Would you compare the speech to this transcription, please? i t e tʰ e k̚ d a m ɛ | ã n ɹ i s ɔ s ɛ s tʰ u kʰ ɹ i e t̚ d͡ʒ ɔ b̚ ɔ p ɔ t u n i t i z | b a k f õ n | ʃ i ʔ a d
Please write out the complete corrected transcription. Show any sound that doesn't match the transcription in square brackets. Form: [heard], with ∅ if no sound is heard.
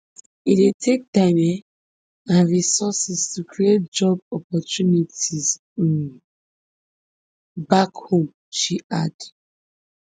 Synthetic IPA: i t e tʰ e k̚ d a m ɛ | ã n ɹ i s ɔ s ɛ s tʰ u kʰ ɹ i e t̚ d͡ʒ ɔ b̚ ɔ p ɔ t u n i t i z | b a k [h] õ [m] | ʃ i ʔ a d

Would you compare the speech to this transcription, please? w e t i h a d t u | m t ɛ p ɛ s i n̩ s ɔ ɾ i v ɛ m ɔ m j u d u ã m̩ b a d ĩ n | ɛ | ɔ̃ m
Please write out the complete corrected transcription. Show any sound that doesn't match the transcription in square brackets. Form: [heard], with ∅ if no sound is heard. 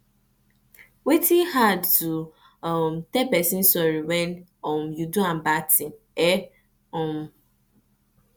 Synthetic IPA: w e t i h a d t u | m t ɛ p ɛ s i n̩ s ɔ ɾ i [w] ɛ [n] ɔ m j u d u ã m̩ b a [t] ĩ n | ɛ | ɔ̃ m

